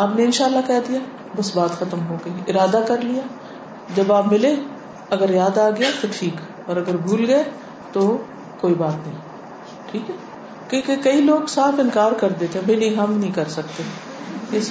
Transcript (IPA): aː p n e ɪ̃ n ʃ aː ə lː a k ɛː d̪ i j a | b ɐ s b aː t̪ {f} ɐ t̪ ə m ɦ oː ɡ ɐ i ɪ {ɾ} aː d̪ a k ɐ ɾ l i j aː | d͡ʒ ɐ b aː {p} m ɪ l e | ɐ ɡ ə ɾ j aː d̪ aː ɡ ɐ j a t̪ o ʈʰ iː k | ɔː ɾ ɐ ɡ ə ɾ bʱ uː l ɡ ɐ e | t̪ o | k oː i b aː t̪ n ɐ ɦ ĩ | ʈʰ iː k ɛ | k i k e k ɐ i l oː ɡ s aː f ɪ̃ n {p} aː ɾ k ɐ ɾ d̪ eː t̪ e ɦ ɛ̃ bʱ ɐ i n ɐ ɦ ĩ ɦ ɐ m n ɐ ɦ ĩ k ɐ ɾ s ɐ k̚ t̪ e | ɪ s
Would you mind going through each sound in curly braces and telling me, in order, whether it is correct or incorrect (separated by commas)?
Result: incorrect, correct, correct, incorrect